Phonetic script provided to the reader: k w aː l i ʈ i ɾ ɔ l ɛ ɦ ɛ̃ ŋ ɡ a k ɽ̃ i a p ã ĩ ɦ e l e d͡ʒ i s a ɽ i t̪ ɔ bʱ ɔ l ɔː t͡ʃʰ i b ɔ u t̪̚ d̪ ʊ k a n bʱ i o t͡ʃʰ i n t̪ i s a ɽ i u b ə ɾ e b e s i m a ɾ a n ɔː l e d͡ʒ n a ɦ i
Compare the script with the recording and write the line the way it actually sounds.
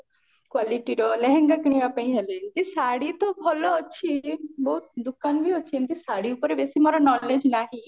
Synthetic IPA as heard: k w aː l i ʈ i ɾ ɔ l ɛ ɦ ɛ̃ ŋ ɡ a k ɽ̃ i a p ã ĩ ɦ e l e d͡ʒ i s a ɽ i t̪ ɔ bʱ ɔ l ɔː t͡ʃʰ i b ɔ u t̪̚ d̪ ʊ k a n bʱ i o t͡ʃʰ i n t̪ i s a ɽ i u p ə ɾ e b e s i m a ɾ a n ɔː l e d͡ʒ n a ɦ i